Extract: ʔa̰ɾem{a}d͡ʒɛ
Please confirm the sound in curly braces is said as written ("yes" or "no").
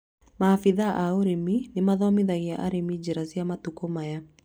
no